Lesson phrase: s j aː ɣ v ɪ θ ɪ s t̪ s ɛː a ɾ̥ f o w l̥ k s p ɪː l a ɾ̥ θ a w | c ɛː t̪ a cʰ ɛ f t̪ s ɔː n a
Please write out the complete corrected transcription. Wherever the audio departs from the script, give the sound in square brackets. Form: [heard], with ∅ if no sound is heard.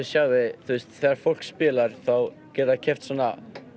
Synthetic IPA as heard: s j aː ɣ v ɪ θ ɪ s t̪ [θ] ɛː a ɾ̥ f o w l̥ k s p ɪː l a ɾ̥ θ a w | c ɛː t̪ a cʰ ɛ f t̪ s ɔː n a